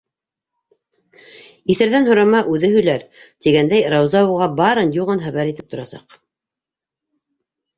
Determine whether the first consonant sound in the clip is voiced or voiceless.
voiceless